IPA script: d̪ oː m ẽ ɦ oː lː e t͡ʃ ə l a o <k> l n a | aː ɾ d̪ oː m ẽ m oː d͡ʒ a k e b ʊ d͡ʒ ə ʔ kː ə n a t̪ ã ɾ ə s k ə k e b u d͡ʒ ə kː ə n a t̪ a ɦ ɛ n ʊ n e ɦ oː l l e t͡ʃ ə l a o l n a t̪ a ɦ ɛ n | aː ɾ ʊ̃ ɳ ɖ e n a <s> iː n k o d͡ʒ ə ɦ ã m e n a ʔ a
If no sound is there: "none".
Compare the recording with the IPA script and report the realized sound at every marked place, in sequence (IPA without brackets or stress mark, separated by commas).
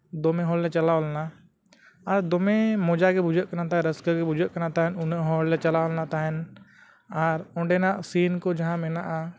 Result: none, s